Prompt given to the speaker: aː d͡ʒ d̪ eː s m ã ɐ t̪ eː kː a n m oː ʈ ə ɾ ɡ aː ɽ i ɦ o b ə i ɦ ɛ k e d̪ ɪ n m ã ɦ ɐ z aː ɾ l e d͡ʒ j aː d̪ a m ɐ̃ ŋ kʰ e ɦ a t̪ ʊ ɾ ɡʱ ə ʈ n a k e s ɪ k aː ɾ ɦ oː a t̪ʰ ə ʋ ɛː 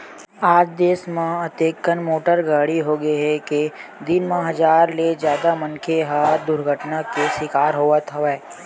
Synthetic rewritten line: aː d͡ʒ d̪ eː s m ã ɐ t̪ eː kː ə n m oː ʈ ə ɾ ɡ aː ɽ i ɦ o ɡ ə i ɦ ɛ k e d̪ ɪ n m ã ɦ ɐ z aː ɾ l e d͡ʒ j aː d̪ a m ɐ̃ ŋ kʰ e ɦ a d̪ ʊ ɾ ɡʱ ə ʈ n a k e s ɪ k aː ɾ ɦ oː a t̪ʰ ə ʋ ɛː